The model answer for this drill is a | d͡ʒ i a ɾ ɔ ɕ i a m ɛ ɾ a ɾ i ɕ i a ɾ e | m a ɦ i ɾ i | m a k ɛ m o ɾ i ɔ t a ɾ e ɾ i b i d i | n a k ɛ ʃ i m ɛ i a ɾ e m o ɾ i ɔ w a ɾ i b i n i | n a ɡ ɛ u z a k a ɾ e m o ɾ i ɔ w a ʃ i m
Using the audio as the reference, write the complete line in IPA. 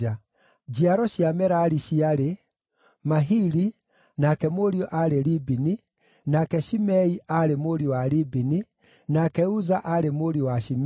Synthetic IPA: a | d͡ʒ i a ɾ ɔ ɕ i a m ɛ ɾ a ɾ i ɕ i a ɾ e | m a ɦ i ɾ i | n a k ɛ m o ɾ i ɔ ʔ a ɾ e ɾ i b i n i | n a k ɛ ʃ i m ɛ i a ɾ e m o ɾ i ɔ w a ɾ i b i n i | n a k ɛ u z a ʔ a ɾ e m o ɾ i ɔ w a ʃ i m

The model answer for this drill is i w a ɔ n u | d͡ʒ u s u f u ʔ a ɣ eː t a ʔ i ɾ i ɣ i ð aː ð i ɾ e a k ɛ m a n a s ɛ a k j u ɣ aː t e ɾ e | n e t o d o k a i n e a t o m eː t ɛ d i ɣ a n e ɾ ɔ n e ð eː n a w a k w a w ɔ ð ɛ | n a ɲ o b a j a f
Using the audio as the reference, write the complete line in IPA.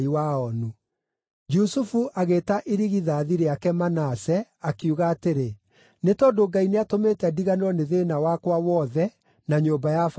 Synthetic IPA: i w a ɔ n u | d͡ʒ u s u f u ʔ a ɣ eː t a ʔ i ɾ i ɣ i ð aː ð i ɾ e a k ɛ m a n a s ɛ a k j u ɣ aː t e ɾ e | n e t ɔ d o ɡ a i n e a t o m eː t ɛ d i ɣ a n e ɾ ɔ n e ð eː n a w a k w a w ɔ ð ɛ | n a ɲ o b a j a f

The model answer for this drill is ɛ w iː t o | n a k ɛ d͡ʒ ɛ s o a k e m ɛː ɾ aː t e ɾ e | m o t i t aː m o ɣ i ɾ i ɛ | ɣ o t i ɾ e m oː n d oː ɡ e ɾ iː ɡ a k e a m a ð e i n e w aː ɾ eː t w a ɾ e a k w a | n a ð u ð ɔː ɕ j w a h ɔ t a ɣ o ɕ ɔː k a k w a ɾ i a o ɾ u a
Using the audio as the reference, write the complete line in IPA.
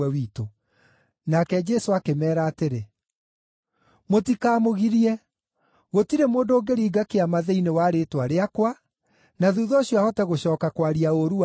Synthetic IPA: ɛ w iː t o | n a k ɛ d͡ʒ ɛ s o a k e m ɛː ɾ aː t e ɾ e | m o t i k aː m o ɣ i ɾ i ɛ | ɣ o t i ɾ e m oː n d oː ɡ e ɾ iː ɡ a k e a m a ð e i n e w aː ɾ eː t w a ɾ e a k w a | n a ð u ð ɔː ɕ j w a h ɔ t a ɣ o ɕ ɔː k a k w a ɾ i a o ɾ u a

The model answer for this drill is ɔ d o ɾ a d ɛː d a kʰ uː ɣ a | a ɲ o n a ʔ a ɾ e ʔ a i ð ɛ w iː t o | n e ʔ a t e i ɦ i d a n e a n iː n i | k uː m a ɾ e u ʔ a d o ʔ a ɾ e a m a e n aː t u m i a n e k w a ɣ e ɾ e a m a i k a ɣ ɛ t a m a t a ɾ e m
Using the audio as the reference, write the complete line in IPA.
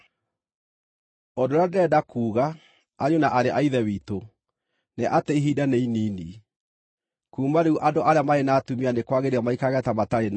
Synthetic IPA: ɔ d o ɾ a d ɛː d a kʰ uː ɣ a | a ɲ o n a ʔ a ɾ e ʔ a i ð ɛ w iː t o | n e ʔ a t e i ɦ i d a n e i n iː n i | k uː m a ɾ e u ʔ a d o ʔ a ɾ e a m a e n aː t u m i a n e k w a ɣ e ɾ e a m a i k a ɣ ɛ t a m a t a ɾ e n

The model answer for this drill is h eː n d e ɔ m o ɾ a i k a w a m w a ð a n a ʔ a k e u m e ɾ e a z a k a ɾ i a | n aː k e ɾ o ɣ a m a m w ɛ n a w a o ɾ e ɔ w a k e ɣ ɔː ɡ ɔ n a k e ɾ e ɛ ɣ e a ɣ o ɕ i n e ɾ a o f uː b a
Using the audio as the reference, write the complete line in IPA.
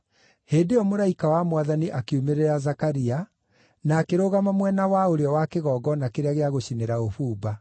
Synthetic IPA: h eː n d e ɔ m o ɾ a i k a w a m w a ð a n i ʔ a k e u m e ɾ e a z a k a ɾ i a | n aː k e ɾ o ɣ a m a m w ɛ n a w a o ɾ e ɔ w a k e ɣ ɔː ɡ ɔ n a k e ɾ e a ɣ e a ɣ o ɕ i n e ɾ a o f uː b a

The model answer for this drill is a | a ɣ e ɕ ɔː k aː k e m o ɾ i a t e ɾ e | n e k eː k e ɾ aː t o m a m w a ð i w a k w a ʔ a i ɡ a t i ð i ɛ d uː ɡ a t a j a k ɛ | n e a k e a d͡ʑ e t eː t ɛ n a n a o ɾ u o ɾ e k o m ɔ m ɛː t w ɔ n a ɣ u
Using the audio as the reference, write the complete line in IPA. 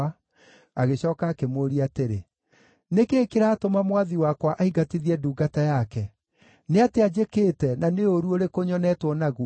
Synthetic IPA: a | a ɣ e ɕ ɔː k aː k e m o ɾ i a t e ɾ e | n e k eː k e ɾ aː t o m a m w a ð i w a k w a ʔ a i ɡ a t i ð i ɛ d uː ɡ a t a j a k ɛ | n e a t e a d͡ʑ e k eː t ɛ n a n e o ɾ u o ɾ e k o ɲ ɔ n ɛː t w ɔ n a ɣ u

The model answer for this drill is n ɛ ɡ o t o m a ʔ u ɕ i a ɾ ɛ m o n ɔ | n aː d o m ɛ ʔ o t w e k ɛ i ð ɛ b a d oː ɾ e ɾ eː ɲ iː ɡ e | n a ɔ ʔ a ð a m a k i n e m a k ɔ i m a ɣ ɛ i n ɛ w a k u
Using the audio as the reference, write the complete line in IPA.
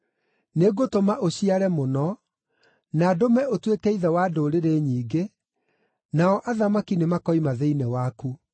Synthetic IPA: n e ɡ o t o m a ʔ o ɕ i a ɾ ɛ m o n ɔ | n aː d o m ɛ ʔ o t w e k ɛ i ð ɛ w a d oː ɾ e ɾ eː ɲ iː ɡ e | n a ɔ ʔ a ð a m a k i n e m a k ɔ i m a ð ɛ i n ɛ w a k u

